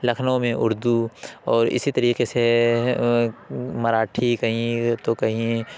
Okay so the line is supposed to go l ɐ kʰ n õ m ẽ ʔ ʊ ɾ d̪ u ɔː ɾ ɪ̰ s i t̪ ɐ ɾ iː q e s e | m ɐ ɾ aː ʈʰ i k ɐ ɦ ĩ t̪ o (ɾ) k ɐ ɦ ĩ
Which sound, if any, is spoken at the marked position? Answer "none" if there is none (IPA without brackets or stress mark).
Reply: none